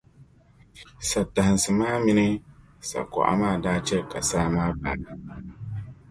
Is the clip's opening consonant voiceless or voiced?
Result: voiceless